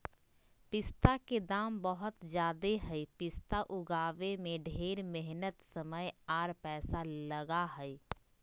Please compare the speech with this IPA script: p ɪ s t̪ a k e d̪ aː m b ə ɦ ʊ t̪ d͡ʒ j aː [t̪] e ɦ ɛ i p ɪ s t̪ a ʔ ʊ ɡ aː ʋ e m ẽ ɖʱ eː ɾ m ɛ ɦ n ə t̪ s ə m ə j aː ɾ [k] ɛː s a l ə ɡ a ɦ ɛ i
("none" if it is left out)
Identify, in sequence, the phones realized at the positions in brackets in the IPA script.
d̪, p

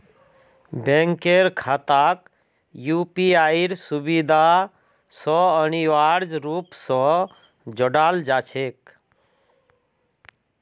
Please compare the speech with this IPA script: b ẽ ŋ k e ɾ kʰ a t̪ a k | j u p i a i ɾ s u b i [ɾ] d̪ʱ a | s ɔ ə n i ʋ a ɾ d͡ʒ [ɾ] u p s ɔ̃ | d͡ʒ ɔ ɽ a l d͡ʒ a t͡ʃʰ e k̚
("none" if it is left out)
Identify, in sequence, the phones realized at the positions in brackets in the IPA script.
none, ɾ

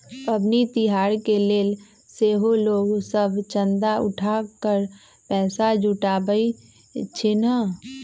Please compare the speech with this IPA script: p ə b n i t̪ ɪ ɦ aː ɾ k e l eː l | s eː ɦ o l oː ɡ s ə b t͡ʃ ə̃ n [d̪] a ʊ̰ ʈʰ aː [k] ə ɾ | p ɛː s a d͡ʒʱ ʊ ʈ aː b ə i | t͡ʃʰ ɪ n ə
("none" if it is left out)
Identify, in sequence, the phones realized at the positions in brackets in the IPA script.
d̪, k

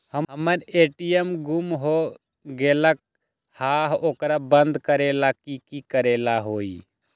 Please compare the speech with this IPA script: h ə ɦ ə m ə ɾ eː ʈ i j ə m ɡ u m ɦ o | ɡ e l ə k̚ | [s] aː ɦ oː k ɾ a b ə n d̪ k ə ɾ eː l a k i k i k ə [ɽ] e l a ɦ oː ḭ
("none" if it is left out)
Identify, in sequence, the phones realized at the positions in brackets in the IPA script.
h, ɾ

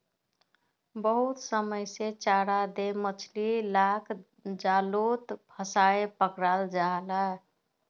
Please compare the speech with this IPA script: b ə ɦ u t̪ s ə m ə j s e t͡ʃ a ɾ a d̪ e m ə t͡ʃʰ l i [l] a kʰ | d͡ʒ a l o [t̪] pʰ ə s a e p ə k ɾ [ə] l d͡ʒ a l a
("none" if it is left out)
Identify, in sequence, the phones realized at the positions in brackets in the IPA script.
l, t̪, a

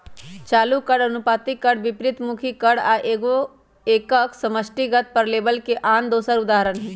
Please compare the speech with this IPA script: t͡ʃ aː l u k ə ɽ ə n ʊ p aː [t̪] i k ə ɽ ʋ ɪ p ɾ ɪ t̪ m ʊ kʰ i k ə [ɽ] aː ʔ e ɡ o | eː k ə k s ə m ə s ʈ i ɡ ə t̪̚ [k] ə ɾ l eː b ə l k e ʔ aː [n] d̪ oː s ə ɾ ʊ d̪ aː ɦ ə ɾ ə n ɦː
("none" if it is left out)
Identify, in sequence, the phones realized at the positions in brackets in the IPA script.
t̪, ɽ, p, n

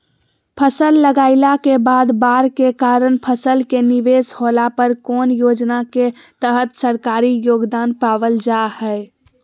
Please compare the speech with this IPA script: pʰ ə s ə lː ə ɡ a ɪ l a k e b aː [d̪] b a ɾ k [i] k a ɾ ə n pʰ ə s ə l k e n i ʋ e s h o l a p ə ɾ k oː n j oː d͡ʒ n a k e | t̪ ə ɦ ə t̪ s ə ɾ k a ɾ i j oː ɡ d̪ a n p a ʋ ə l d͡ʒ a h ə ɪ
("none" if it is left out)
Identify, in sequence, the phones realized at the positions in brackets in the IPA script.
d̪, e

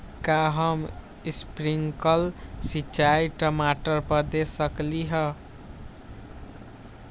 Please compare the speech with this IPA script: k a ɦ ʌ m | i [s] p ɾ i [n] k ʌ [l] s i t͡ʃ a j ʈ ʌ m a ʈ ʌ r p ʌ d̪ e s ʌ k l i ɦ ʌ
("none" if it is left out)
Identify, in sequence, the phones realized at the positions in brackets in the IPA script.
s, ŋ, l

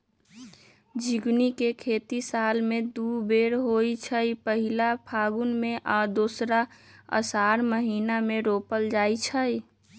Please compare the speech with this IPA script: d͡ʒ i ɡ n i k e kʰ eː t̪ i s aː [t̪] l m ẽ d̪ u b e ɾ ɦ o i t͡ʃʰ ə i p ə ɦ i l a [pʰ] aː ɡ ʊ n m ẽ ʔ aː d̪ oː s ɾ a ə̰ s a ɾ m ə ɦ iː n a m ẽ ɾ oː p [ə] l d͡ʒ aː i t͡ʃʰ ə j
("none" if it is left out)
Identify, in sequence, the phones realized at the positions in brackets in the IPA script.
none, pʰ, ə

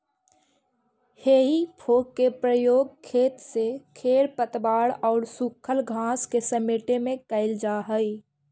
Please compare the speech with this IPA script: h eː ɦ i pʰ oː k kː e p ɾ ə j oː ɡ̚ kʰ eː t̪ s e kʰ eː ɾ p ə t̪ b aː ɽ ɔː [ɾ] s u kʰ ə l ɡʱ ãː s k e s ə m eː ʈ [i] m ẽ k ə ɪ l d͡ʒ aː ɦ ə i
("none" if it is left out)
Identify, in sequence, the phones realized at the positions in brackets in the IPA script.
ɾ, e

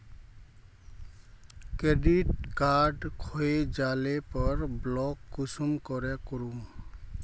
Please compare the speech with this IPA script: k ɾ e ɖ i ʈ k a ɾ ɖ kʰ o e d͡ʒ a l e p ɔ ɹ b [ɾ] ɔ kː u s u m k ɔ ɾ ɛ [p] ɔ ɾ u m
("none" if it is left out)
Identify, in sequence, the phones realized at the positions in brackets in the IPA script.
l, k

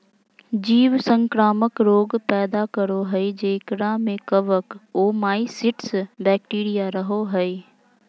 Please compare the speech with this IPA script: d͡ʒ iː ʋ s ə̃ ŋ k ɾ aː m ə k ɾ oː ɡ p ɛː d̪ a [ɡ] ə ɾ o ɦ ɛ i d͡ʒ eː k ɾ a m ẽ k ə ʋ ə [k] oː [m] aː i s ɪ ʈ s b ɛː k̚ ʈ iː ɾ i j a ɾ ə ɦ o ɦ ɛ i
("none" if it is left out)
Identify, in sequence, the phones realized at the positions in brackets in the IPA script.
k, k, m

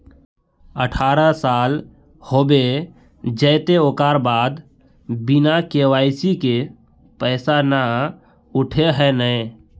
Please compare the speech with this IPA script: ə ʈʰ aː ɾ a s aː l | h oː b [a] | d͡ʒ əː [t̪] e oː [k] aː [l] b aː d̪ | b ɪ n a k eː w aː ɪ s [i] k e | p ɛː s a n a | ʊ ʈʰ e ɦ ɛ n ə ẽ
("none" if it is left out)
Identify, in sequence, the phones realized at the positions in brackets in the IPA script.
e, t̪, k, ɾ, i

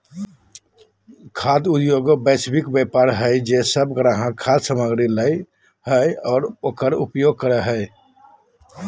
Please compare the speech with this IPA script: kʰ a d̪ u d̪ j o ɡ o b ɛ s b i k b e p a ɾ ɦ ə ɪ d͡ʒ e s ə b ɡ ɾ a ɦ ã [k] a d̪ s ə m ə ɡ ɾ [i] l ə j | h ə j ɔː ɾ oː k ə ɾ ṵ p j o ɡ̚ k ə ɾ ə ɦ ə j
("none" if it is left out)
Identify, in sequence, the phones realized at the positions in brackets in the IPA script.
kʰ, i

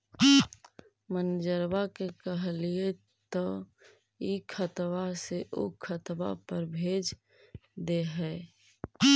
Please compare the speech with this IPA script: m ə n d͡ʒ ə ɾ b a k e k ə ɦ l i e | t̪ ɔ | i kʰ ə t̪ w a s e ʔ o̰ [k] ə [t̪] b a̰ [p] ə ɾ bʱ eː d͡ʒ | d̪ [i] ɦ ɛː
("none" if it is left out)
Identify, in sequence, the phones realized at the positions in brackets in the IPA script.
kʰ, t̪, p, e

